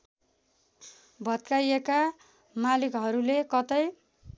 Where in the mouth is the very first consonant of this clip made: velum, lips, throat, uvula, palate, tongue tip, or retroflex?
lips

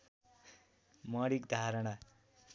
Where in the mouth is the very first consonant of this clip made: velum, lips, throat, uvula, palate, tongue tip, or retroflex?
lips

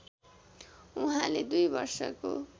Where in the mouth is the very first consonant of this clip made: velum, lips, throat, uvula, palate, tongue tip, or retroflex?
throat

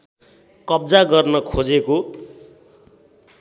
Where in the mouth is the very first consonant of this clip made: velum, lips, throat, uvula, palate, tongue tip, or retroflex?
velum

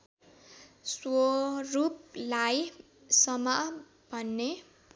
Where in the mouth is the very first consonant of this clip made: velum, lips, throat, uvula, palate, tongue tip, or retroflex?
tongue tip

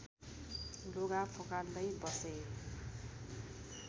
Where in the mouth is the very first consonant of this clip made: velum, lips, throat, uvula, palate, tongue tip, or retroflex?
tongue tip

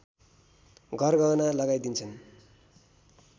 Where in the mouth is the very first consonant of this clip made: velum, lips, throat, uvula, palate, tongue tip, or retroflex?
velum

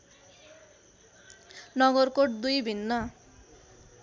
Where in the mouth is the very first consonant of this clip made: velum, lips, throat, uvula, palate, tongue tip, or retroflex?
tongue tip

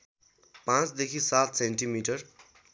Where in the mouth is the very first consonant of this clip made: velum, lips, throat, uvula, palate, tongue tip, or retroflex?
lips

